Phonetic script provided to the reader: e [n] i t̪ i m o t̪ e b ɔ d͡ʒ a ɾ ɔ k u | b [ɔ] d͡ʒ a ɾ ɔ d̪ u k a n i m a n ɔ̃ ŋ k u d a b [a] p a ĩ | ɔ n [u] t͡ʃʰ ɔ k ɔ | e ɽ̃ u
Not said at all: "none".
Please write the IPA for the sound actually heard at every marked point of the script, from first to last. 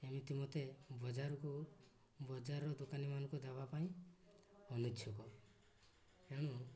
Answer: m, ɔ, a, u

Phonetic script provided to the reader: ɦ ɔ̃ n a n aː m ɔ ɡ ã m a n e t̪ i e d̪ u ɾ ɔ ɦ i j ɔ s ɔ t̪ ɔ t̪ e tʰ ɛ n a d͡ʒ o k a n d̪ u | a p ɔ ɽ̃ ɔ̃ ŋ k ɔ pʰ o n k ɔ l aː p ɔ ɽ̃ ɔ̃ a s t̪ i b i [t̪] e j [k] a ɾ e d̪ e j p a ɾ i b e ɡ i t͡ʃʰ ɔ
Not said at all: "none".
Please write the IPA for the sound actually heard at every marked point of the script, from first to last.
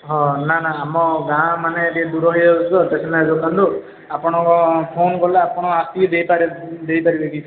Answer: d̪, p

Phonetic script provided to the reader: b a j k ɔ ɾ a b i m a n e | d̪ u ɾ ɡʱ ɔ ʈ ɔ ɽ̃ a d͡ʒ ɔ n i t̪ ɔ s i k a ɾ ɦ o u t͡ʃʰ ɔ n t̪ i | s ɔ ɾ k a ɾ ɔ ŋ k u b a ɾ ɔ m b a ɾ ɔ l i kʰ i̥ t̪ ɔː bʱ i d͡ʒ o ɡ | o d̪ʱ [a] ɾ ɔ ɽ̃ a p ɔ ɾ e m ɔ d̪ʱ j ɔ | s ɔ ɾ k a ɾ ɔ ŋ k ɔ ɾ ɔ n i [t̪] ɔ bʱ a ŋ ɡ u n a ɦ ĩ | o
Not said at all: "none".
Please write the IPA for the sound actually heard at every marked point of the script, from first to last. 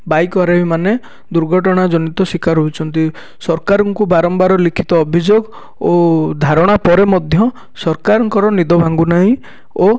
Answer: a, d̪

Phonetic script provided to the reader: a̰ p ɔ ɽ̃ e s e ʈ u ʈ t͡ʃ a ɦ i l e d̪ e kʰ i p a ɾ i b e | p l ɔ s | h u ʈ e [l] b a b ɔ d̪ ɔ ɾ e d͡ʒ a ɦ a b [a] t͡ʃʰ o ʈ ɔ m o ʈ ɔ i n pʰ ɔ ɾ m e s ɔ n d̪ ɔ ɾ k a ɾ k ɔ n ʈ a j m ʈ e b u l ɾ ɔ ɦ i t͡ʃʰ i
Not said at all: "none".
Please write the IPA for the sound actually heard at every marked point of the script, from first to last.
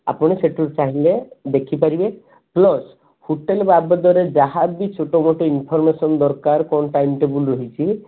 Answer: l, i

